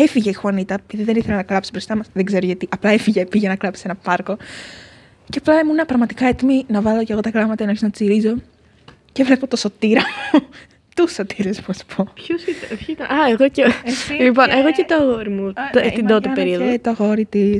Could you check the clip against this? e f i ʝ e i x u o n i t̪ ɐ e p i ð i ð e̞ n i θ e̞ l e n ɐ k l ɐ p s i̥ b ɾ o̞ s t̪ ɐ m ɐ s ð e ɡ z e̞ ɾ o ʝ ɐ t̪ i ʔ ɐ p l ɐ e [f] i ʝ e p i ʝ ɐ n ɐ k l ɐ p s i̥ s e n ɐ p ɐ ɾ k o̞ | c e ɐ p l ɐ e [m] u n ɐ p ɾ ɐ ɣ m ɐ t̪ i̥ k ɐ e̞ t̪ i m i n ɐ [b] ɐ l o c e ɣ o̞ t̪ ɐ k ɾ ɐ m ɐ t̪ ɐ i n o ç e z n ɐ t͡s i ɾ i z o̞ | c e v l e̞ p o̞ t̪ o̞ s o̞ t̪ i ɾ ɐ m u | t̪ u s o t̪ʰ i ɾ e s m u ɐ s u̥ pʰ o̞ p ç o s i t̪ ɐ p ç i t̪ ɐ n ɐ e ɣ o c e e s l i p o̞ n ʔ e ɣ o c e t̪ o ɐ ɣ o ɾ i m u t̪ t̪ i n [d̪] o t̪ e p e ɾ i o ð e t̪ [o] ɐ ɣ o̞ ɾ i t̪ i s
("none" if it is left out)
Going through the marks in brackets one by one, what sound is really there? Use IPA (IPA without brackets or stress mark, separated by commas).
f, m, v, d̪, o